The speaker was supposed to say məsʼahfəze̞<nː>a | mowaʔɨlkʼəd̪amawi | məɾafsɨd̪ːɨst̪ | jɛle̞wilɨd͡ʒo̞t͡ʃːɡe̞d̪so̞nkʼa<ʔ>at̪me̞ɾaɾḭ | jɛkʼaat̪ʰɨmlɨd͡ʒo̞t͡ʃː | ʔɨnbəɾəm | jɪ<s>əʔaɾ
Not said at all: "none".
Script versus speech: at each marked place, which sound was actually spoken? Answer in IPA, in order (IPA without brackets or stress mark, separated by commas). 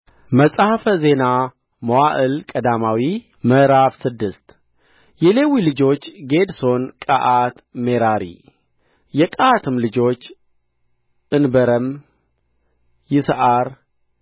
n, ʔ, s